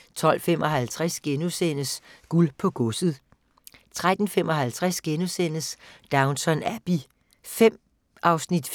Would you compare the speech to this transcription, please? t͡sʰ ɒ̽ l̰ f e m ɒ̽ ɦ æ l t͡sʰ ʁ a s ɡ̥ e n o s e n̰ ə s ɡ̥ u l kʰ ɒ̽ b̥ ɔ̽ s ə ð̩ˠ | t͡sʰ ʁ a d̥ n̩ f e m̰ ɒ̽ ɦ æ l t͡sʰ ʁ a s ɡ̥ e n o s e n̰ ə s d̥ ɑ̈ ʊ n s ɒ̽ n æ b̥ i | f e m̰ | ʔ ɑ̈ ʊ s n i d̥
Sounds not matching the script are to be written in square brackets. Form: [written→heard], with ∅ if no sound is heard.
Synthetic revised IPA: t͡sʰ ɒ̽ l̰ f e m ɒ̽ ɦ æ l t͡sʰ ʁ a s ɡ̥ e n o s e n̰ ə s ɡ̥ u l [kʰ→pʰ] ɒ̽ [b̥→ɡ̥] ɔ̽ s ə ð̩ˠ | t͡sʰ ʁ a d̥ n̩ f e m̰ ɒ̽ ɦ æ l t͡sʰ ʁ a s ɡ̥ e n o s e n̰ ə s d̥ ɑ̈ ʊ n s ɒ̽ n æ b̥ i | f e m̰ | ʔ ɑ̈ ʊ s n i d̥